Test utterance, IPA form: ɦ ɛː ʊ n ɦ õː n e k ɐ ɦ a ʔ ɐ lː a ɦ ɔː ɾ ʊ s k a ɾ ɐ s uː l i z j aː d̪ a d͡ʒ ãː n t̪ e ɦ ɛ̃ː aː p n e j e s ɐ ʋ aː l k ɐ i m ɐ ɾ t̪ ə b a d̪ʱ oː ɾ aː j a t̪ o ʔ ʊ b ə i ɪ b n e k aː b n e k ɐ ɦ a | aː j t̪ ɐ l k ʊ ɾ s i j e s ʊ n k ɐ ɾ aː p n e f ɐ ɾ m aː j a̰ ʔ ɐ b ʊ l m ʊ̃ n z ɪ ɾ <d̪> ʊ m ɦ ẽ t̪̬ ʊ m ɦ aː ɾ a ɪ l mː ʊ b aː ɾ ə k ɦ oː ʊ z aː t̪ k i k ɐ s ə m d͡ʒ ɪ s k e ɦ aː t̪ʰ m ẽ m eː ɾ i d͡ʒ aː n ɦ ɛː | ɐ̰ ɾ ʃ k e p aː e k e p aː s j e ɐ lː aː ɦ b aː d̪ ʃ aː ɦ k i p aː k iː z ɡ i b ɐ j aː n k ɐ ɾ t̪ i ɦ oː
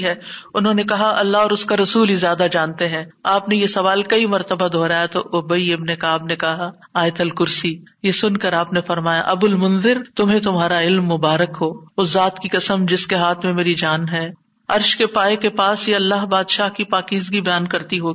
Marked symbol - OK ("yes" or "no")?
no